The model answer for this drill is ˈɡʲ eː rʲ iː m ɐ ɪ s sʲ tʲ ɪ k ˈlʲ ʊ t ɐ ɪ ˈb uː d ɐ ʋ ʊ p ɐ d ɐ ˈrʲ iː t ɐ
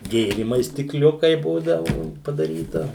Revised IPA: ˈɡʲ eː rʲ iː m ɐ ɪ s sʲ tʲ ɪ k ˈlʲ ʊ k ɐ ɪ ˈb uː d ɐ ʋ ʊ p ɐ d ɐ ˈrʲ iː t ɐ